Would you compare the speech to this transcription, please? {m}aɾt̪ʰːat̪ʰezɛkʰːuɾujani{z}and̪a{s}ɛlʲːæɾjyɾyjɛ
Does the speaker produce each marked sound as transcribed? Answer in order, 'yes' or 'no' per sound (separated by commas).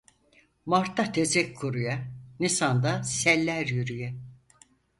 yes, no, yes